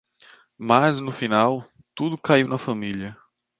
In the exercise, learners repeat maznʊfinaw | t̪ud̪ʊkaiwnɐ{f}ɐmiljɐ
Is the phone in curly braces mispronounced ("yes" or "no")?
no